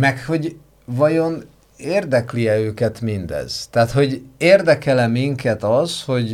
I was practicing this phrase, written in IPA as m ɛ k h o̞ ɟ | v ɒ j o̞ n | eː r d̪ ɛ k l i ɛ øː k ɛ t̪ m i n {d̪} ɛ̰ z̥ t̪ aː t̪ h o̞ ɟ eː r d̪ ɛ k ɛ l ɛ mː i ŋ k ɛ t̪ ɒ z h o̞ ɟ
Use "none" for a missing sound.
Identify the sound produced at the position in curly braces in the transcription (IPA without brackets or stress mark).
d̪